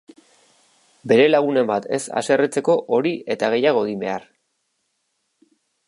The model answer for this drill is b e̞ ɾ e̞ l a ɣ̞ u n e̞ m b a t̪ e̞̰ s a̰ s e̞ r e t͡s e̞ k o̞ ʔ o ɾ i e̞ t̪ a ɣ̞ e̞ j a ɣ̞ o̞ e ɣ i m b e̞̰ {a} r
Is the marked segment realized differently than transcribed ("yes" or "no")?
no